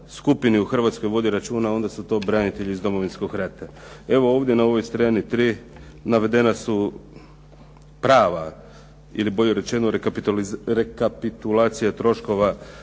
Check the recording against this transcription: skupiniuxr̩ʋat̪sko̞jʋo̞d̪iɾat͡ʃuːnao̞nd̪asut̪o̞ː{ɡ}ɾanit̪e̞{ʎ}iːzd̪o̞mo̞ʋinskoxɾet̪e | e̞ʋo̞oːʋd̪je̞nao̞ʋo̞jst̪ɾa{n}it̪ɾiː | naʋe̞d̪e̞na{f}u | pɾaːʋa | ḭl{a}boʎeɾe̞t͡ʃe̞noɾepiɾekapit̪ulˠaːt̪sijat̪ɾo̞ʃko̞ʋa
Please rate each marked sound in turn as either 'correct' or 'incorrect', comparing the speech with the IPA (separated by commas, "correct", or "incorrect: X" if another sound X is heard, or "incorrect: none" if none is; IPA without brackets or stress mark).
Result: incorrect: b, correct, correct, incorrect: s, incorrect: i